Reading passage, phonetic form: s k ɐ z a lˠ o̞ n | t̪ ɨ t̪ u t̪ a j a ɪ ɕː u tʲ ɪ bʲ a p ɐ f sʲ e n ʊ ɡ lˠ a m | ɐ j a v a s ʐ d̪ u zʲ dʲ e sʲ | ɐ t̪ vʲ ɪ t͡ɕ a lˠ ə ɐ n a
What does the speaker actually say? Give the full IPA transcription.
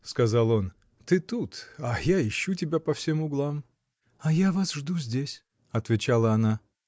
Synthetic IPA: s k ɐ z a lˠ o̞ n | t̪ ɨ t̪ u t̪ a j a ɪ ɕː u tʲ ɪ bʲ a p ɐ f sʲ e m ʊ ɡ lˠ a m | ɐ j a v a s ʐ d̪ u zʲ dʲ e sʲ | ɐ t̪ vʲ ɪ t͡ɕ a lˠ ə ɐ n a